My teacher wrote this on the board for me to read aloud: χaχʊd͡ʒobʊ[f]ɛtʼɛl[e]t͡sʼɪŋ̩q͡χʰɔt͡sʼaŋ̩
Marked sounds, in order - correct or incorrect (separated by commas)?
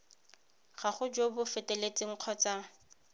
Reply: correct, correct